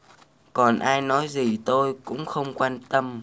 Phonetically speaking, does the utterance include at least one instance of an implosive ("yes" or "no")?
no